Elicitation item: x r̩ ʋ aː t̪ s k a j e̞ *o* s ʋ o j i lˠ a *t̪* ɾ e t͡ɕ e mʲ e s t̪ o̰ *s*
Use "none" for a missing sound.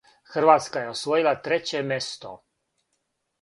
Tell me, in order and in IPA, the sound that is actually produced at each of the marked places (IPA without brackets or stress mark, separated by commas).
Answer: o, t̪, none